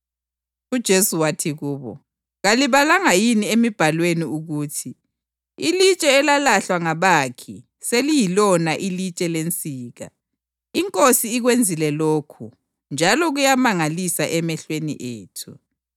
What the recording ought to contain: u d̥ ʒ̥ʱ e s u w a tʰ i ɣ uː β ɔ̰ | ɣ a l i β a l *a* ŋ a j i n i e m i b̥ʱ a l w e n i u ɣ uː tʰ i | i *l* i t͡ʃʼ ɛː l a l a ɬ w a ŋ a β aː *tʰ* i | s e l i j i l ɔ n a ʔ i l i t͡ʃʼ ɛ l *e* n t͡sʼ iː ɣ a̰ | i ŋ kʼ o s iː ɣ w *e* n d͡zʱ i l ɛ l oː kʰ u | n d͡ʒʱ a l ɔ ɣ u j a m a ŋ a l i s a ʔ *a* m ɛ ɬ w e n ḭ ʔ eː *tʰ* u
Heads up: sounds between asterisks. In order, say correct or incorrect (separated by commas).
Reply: correct, correct, incorrect, correct, correct, incorrect, correct